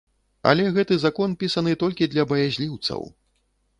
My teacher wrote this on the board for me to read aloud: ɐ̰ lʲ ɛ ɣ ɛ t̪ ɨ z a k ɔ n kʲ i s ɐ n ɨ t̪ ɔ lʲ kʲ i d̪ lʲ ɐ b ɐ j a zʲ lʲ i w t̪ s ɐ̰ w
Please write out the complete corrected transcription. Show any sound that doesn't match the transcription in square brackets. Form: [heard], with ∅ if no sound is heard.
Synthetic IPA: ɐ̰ lʲ ɛ ɣ ɛ t̪ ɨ z a k ɔ n [pʲ] i s ɐ n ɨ t̪ ɔ lʲ kʲ i d̪ lʲ ɐ b ɐ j a zʲ lʲ i w t̪ s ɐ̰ w